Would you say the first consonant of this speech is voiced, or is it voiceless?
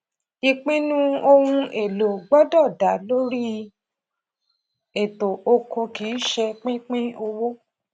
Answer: voiceless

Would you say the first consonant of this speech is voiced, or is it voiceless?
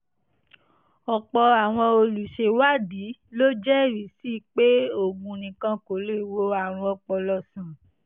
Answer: voiceless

